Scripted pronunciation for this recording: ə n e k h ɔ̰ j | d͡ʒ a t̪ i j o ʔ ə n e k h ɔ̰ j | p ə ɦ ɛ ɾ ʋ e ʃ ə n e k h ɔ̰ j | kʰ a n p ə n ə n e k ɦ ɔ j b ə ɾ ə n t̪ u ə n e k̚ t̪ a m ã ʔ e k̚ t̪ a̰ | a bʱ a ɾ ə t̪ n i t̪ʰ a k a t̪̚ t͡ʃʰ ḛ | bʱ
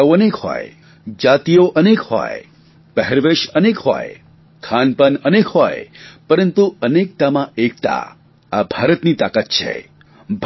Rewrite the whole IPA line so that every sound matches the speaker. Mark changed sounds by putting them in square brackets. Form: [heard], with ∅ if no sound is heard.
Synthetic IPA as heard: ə n e k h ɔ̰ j | d͡ʒ a t̪ i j o ʔ ə n e k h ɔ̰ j | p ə ɦ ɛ ɾ ʋ e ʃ ə n e k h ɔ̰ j | kʰ a n p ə n ə n e k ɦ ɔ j [p] ə ɾ ə n t̪ u ə n e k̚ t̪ a m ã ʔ e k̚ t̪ a̰ | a bʱ a ɾ ə t̪ n i [t̪] a k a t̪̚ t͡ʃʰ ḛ | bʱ

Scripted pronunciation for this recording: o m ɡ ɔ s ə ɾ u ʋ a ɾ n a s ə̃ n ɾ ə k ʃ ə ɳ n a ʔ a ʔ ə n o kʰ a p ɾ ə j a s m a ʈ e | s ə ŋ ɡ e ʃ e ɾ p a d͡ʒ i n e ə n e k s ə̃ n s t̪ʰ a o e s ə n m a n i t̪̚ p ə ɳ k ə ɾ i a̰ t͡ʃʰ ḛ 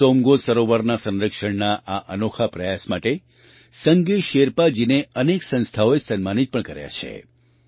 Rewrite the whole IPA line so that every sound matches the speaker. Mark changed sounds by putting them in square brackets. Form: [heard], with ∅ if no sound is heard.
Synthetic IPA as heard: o m ɡ [o] s ə ɾ [o] ʋ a ɾ n a s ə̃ n ɾ ə k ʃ ə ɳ n a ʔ a ʔ ə n o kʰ a p ɾ ə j a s m a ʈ e | s ə ŋ ɡ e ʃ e ɾ p a d͡ʒ i n e ə n e k s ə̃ n s t̪ʰ a o e s ə n m a n i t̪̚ p ə ɳ k ə ɾ [j] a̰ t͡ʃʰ ḛ

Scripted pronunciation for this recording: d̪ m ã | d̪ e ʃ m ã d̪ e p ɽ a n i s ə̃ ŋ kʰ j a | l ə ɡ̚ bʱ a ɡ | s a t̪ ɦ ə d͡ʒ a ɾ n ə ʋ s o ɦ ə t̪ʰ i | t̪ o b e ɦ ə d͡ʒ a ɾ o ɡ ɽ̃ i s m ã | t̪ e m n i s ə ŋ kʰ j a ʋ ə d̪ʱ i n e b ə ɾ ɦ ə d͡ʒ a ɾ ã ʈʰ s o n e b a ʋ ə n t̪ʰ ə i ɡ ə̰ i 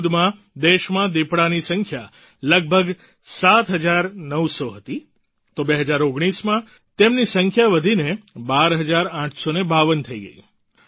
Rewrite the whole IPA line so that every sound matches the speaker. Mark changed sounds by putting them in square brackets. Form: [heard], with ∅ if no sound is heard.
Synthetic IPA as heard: d̪ m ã | d̪ e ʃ m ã d̪ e p ɽ a n i s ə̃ ŋ kʰ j a | l ə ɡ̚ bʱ [ə] ɡ | s a t̪ ɦ ə d͡ʒ a ɾ n ə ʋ s o ɦ ə [t̪] i | t̪ o b e ɦ ə d͡ʒ a ɾ o ɡ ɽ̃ i s m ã | t̪ e m n i s ə ŋ kʰ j a ʋ ə d̪ʱ i n e b [a] ɾ ɦ ə d͡ʒ a ɾ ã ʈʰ s o n e b a ʋ ə n t̪ʰ ə i ɡ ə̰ i

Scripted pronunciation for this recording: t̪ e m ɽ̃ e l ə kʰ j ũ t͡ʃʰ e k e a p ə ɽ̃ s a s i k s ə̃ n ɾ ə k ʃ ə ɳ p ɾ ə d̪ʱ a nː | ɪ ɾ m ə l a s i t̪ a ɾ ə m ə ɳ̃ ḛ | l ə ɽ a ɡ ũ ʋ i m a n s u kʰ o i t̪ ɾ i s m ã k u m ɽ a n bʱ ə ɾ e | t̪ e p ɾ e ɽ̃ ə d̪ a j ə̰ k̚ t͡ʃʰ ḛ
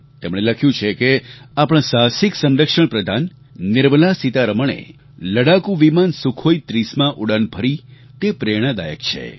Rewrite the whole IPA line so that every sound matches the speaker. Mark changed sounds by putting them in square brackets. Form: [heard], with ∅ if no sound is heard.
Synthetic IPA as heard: t̪ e m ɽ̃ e l ə kʰ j ũ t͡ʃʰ e k e a p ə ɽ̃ s a s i k s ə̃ n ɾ ə k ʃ ə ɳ p ɾ ə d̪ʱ a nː | ɪ ɾ m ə l a s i t̪ a ɾ ə m ə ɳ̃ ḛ | l ə ɽ a [k] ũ ʋ i m a n s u kʰ o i t̪ ɾ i s m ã [ʔ] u [∅] ɽ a n bʱ ə ɾ [i] | t̪ e p ɾ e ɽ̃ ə d̪ a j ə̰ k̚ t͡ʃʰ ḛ

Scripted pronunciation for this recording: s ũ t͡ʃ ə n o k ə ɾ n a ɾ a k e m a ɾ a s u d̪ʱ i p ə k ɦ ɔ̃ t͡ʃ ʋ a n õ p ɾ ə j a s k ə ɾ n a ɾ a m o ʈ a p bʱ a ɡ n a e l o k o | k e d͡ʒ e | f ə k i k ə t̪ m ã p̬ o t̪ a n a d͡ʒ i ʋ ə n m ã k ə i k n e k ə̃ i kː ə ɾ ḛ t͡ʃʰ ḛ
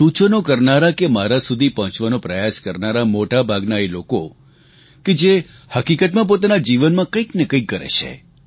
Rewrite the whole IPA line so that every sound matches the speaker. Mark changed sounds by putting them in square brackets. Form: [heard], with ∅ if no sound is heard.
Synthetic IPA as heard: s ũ t͡ʃ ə n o k ə ɾ n a ɾ a k e m a ɾ a s u d̪ʱ i p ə [∅] ɦ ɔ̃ t͡ʃ ʋ a n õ p ɾ ə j a s k ə ɾ n a ɾ a m o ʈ a [∅] bʱ a ɡ n a e l o k o | k e d͡ʒ e | [h] ə k i k ə t̪ m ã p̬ o t̪ a n a d͡ʒ i ʋ ə n m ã k ə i k n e k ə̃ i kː ə ɾ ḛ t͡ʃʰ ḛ

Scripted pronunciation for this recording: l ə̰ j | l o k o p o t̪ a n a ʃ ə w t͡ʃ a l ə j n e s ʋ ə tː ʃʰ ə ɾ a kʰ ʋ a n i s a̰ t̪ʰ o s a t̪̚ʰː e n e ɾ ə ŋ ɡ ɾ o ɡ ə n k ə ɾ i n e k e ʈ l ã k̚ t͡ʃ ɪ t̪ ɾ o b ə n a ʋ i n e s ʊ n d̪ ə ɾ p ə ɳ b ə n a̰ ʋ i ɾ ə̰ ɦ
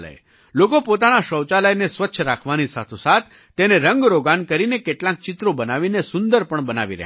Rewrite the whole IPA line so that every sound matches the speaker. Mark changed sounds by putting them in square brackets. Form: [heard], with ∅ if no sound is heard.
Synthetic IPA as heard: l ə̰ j | l o k o p o t̪ a n a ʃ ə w t͡ʃ a l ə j n e s ʋ ə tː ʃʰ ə ɾ a kʰ ʋ a n i s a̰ t̪ʰ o s a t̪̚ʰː e n e ɾ ə ŋ ɡ ɾ o ɡ [a] n k ə ɾ i n e k e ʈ l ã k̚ t͡ʃ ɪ t̪ ɾ o b ə n a ʋ i n e s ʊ n d̪ ə ɾ p ə ɳ b ə n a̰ ʋ i ɾ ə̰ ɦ

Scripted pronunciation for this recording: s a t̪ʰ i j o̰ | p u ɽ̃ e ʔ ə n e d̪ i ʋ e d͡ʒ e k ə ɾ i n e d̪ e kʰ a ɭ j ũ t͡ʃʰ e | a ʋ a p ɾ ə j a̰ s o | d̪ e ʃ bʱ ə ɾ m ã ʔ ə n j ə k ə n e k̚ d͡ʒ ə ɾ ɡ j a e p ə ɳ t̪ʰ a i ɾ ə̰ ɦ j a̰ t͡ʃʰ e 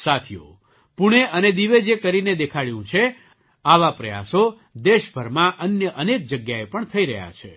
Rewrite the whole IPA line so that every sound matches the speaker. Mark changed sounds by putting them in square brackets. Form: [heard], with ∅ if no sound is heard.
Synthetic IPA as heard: s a t̪ʰ i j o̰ | p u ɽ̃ e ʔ ə n e d̪ i ʋ e d͡ʒ e k ə ɾ i n e d̪ e kʰ a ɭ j ũ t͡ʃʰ e | a ʋ a p ɾ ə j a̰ s o | d̪ e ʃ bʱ ə ɾ m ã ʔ ə n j ə [ʔ] ə n e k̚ d͡ʒ ə [∅] ɡ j a e p ə ɳ t̪ʰ [ə] i ɾ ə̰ ɦ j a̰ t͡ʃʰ e

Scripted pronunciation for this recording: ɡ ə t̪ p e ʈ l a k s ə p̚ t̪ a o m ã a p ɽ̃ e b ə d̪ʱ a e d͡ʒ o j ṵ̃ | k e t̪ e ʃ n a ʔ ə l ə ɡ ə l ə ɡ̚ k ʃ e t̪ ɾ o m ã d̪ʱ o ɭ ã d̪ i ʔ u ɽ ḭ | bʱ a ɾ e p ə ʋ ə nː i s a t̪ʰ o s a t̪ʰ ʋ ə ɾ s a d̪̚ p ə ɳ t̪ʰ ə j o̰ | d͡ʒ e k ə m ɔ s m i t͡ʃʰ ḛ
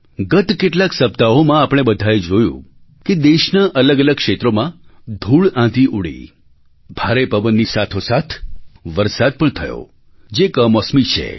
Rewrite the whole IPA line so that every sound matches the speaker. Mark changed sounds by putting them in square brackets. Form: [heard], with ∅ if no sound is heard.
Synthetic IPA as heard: ɡ ə t̪ [k] e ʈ l a k s ə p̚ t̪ a o m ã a p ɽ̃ e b ə d̪ʱ a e d͡ʒ o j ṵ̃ | k e [d̪] e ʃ n a ʔ ə l ə ɡ ə l ə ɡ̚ k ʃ e t̪ ɾ o m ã d̪ʱ [u] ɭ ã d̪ i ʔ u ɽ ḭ | bʱ a ɾ e p ə ʋ ə nː i s a t̪ʰ o s a t̪ʰ ʋ ə ɾ s a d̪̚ p ə ɳ t̪ʰ ə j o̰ | d͡ʒ e k ə m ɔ s m i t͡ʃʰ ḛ

